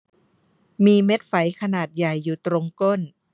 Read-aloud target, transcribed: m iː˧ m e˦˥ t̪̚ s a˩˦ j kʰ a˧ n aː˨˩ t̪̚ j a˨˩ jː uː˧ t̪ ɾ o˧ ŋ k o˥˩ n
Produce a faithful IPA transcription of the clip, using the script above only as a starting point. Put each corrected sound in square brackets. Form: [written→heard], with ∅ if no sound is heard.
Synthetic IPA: m iː˧ m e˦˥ t̪̚ [s→f] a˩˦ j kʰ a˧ n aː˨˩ t̪̚ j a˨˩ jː [uː˧→uː˨˩] t̪ ɾ o˧ ŋ k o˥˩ n

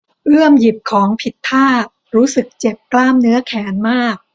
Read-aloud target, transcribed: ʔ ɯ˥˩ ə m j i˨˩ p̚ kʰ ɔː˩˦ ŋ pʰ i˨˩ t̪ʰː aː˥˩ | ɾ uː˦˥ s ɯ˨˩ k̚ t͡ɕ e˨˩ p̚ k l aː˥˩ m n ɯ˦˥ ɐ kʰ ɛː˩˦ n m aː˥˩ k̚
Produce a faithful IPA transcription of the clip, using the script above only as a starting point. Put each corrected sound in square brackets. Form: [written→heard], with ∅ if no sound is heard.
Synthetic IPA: ʔ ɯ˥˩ ə m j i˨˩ p̚ kʰ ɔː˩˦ ŋ pʰ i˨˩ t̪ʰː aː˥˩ | ɾ uː˦˥ s ɯ˨˩ k̚ t͡ɕ e˨˩ p̚ k l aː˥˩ m n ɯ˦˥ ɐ kʰ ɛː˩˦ n m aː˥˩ k̚

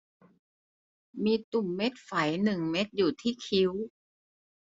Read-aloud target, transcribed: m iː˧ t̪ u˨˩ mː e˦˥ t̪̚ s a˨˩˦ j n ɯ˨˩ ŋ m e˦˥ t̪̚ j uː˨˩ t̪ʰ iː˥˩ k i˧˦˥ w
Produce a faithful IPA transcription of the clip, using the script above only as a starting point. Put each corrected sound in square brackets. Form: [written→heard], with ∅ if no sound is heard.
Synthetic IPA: m iː˧ t̪ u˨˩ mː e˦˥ t̪̚ [s→f] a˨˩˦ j n ɯ˨˩ ŋ m e˦˥ t̪̚ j uː˨˩ t̪ʰ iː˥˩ [k→kʰ] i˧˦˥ w

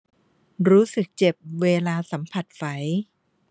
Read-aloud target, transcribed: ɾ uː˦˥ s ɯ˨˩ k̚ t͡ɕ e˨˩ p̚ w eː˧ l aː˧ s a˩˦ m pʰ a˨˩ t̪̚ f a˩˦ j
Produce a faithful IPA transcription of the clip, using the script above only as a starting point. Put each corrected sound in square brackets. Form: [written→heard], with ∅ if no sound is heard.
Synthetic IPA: ɾ uː˦˥ s ɯ˨˩ k̚ t͡ɕ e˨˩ p̚ w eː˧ l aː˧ s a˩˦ m pʰ a˨˩ t̪̚ f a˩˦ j

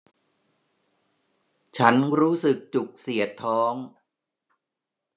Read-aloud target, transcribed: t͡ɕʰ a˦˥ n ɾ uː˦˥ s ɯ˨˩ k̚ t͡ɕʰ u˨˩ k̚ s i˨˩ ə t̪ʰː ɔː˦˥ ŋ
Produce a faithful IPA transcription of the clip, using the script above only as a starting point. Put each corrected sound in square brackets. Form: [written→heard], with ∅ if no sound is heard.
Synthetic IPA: t͡ɕʰ a˦˥ n ɾ uː˦˥ s ɯ˨˩ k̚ [t͡ɕʰ→t͡ɕ] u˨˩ k̚ s i˨˩ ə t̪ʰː ɔː˦˥ ŋ

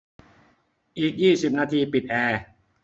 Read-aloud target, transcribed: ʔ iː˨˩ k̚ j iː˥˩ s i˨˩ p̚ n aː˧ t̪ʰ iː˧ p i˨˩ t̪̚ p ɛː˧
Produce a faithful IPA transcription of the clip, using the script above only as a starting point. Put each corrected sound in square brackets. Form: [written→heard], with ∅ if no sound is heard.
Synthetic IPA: ʔ iː˨˩ k̚ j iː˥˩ s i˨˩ p̚ n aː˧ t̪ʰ iː˧ p i˨˩ t̪̚ [p→ʔ] ɛː˧

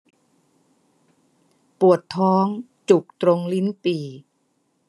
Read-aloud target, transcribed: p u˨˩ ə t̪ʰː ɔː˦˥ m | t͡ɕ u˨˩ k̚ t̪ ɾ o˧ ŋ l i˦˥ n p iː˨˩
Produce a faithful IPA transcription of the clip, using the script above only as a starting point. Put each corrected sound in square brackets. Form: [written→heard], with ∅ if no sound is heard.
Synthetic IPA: p u˨˩ ə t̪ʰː ɔː˦˥ [m→ŋ] | t͡ɕ u˨˩ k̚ t̪ ɾ o˧ ŋ l i˦˥ n p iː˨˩

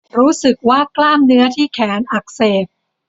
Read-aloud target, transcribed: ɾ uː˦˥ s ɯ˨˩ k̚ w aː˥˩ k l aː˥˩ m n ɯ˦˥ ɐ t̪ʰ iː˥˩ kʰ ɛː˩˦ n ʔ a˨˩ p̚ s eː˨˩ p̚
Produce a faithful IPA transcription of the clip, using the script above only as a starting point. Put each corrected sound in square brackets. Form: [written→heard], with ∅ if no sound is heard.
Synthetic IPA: ɾ uː˦˥ s ɯ˨˩ k̚ w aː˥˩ k l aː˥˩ m n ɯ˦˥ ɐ t̪ʰ iː˥˩ kʰ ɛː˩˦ n ʔ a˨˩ [p̚→k̚] s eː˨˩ p̚

